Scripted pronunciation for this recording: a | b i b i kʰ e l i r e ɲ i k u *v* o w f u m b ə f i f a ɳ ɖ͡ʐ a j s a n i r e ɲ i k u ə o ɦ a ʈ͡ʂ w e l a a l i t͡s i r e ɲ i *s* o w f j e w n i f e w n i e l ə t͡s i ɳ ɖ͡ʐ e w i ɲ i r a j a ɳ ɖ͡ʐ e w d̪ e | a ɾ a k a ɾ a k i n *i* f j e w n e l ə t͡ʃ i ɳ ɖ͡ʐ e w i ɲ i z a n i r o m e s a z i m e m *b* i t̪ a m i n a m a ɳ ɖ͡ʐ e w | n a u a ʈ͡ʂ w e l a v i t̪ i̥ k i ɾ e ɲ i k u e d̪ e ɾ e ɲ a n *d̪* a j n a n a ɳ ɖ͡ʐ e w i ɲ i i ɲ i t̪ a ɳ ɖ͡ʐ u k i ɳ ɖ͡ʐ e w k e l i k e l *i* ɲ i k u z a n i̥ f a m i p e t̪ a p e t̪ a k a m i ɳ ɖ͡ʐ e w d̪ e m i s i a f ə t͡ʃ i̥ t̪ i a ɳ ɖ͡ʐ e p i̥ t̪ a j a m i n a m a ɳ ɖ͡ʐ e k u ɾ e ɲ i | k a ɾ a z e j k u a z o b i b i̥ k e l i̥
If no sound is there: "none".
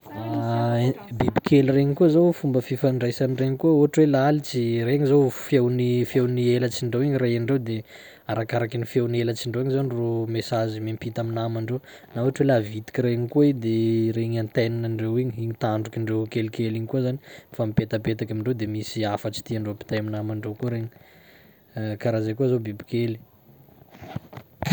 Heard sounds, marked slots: z, z, i, p, t̪, i

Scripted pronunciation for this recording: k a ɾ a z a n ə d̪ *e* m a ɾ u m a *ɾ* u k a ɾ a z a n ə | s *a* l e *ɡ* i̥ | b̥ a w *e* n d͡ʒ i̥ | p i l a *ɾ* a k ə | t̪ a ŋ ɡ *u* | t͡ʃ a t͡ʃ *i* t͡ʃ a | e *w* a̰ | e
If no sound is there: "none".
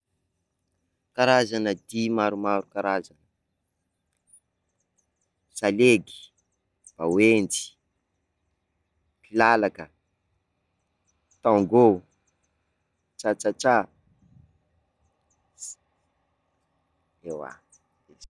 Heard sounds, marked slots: i, ɾ, a, ɡ, e, l, o, a, w

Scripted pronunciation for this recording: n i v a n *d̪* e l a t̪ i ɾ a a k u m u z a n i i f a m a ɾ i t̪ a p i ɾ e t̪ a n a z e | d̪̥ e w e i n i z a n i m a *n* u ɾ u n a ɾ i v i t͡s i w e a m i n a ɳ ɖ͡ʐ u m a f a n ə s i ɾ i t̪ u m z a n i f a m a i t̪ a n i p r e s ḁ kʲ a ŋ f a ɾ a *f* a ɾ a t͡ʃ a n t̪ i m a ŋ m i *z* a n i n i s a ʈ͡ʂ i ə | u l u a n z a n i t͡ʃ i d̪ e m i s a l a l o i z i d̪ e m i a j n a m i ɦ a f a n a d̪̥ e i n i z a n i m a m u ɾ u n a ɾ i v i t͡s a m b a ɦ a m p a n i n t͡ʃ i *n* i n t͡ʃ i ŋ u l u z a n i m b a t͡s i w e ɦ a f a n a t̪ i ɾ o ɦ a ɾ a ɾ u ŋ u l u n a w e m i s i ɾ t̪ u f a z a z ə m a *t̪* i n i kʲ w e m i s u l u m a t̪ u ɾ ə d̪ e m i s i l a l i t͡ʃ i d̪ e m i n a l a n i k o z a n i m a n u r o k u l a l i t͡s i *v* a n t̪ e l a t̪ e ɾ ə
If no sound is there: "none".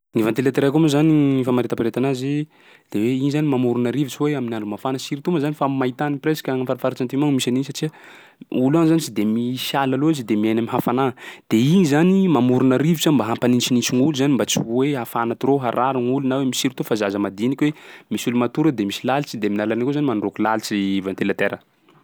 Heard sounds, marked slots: t̪, m, f, s, n, d̪, v

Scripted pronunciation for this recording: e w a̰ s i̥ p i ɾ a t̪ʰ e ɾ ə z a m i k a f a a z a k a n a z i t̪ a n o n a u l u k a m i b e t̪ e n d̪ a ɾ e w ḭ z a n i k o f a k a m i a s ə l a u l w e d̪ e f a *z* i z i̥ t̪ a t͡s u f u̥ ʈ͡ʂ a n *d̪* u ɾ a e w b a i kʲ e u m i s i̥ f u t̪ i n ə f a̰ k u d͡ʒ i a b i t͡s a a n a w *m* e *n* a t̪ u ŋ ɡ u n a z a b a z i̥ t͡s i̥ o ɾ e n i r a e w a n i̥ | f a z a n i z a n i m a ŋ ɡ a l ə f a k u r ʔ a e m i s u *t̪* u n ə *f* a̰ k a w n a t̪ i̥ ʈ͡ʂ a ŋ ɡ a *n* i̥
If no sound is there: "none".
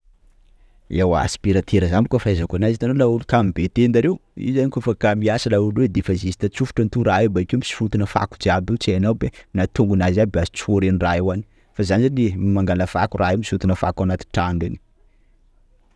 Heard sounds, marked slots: z, t̪, b, n, t̪, f, n

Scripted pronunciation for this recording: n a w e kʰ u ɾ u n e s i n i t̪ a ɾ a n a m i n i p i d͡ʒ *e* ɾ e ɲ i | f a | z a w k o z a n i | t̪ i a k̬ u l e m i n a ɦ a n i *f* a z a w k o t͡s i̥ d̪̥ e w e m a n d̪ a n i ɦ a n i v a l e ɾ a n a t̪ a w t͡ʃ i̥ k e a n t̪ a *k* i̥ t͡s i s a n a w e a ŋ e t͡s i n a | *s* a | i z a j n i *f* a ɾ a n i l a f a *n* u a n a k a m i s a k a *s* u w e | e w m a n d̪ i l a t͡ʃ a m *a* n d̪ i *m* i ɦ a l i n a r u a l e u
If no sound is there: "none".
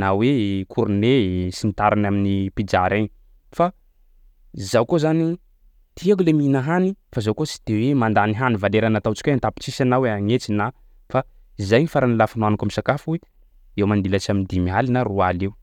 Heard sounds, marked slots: a, f, p, f, f, n, f, i, m

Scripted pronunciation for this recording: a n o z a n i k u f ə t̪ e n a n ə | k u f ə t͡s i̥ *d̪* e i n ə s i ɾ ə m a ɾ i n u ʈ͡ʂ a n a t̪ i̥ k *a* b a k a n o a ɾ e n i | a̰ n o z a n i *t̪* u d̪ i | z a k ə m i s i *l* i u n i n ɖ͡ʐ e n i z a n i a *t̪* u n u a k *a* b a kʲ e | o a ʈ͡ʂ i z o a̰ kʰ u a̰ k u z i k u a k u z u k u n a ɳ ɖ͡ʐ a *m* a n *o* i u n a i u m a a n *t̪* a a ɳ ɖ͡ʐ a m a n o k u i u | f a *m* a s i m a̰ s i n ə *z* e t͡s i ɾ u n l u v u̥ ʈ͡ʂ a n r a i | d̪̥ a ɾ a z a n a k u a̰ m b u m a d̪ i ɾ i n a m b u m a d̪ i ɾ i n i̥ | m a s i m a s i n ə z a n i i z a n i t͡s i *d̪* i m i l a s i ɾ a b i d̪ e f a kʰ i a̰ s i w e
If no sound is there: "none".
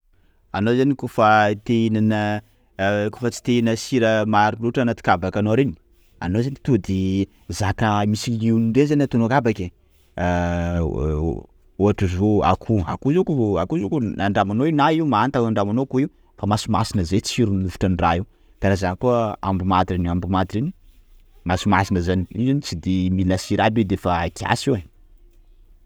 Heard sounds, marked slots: t̪, a, t̪, l, t̪, a, m, o, t̪, m, z, d̪

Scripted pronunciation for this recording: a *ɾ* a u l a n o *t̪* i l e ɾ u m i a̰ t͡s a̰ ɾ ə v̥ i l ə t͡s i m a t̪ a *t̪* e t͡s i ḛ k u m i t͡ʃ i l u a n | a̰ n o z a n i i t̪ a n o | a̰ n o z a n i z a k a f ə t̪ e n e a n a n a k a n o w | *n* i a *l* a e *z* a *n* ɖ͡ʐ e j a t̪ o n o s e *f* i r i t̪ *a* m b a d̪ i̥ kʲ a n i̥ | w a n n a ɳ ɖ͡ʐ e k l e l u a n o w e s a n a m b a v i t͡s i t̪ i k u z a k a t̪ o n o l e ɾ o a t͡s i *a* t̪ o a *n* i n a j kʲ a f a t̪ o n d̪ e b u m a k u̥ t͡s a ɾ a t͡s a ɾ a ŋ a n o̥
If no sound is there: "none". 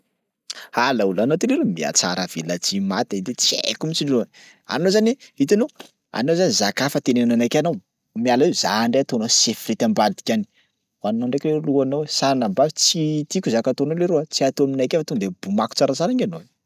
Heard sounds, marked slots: l, t̪, d̪, m, l, z, ɳ, f, a, a, m

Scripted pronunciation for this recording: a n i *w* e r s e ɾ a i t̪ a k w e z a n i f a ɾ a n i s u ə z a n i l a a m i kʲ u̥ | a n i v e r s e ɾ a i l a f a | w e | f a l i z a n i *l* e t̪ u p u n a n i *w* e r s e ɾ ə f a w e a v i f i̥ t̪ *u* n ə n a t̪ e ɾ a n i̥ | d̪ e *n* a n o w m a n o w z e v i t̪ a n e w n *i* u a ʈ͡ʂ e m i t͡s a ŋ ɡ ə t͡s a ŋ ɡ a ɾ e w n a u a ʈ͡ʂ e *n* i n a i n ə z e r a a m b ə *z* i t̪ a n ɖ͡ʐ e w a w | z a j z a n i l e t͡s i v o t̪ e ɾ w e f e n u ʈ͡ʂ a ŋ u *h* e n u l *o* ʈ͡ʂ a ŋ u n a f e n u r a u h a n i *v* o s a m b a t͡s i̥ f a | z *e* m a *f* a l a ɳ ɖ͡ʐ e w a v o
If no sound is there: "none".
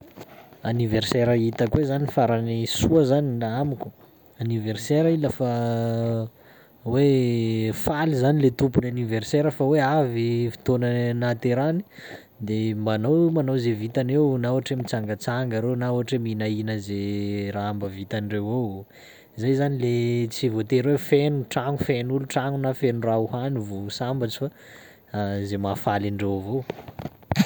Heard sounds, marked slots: v, l, v, o, m, a, m, v, f, u, v, e, f

